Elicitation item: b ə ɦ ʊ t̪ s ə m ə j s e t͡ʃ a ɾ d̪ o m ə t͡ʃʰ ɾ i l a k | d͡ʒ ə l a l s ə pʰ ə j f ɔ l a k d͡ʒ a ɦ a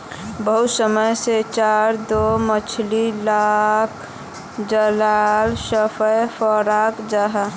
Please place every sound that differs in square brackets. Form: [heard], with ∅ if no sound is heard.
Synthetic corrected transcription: b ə ɦ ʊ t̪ s ə m ə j s e t͡ʃ a ɾ d̪ o m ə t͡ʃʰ [l] i l a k | d͡ʒ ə l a l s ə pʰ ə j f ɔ [ɾ] a k d͡ʒ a ɦ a